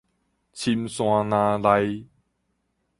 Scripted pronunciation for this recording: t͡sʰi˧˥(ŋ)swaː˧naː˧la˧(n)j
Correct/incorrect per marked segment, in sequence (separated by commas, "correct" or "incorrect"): incorrect, incorrect